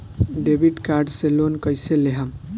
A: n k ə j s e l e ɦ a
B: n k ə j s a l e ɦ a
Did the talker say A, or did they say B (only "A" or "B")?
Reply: A